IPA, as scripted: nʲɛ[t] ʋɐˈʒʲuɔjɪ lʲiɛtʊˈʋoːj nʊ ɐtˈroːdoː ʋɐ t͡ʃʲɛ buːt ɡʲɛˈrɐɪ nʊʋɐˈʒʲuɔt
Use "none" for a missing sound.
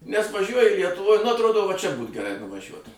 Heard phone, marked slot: s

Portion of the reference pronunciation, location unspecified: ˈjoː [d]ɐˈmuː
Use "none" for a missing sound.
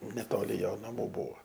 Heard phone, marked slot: n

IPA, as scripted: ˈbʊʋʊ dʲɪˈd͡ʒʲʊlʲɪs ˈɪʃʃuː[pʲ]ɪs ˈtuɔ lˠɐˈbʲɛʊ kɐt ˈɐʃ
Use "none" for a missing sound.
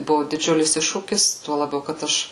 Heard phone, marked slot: kʲ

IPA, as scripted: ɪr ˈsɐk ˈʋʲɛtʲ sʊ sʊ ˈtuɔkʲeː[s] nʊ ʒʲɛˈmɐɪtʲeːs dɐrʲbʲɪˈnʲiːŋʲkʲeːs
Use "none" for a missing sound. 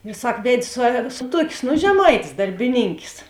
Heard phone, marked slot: s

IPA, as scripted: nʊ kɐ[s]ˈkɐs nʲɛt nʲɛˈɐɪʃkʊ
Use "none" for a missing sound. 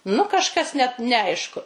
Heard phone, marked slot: ʃ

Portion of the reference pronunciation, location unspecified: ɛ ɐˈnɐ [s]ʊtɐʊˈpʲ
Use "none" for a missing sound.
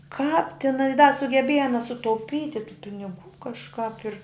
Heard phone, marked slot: s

